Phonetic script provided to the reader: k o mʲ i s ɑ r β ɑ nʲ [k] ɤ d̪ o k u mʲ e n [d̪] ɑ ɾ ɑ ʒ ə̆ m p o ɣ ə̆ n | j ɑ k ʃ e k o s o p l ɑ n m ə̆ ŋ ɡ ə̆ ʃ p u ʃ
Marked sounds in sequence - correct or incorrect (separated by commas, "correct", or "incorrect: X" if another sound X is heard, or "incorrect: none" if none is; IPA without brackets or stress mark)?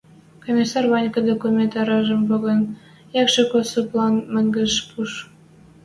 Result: correct, incorrect: t̪